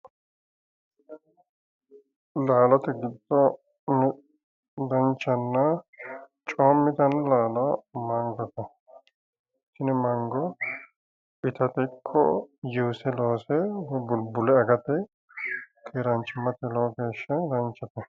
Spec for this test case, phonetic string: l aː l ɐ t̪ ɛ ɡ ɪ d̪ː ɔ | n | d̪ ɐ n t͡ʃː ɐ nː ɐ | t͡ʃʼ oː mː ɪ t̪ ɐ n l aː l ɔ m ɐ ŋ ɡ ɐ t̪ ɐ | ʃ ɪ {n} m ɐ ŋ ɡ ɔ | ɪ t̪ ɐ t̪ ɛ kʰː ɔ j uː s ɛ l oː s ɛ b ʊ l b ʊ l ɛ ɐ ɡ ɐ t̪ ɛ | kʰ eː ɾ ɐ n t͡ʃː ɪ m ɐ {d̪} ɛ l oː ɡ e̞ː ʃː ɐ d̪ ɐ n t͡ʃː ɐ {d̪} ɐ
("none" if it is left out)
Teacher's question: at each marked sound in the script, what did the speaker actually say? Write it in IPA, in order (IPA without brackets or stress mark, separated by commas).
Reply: n, t̪, t̪